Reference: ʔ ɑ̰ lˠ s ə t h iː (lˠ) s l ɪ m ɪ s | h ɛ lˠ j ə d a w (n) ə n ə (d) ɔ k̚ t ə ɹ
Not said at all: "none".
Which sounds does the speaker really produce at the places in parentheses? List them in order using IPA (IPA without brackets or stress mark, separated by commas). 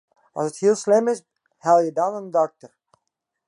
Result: lˠ, n, d